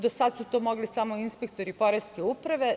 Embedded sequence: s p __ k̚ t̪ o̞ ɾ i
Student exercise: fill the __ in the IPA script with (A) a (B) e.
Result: B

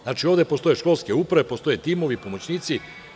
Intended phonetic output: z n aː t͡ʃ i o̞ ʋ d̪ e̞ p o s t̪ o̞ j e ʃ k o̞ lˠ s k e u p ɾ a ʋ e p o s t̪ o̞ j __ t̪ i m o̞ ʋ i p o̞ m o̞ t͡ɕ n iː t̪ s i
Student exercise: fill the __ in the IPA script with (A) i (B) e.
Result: B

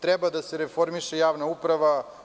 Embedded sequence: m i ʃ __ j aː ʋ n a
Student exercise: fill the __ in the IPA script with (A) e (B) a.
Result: A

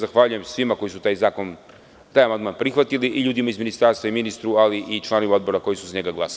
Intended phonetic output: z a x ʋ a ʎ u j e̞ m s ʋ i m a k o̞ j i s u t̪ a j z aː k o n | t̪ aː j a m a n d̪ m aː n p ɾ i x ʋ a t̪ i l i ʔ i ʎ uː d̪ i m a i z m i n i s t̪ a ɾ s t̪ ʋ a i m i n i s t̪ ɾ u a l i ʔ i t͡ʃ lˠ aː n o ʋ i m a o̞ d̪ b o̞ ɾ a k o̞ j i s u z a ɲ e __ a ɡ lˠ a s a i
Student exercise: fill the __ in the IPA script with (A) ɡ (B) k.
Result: A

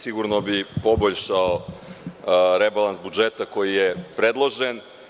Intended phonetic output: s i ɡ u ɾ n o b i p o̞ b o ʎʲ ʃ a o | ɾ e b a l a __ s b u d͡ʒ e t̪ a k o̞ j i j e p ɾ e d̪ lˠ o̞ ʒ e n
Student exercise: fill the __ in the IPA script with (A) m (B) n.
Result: B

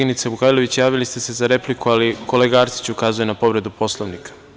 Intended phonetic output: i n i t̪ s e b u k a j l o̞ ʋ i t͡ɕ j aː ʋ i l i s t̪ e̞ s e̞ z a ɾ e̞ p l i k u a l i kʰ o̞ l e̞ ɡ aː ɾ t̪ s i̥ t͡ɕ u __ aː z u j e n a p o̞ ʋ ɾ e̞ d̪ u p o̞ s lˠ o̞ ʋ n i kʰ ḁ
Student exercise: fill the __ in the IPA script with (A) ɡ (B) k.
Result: B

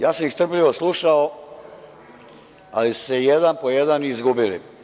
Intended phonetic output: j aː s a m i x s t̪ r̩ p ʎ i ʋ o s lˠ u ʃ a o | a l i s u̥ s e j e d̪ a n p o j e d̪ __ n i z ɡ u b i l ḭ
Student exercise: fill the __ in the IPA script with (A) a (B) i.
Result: A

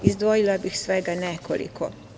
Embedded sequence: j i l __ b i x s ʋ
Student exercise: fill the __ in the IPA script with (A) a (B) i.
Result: A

